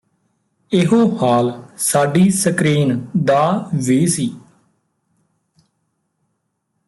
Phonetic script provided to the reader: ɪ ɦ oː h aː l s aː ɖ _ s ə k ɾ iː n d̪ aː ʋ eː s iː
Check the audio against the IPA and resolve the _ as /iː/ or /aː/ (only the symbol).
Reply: iː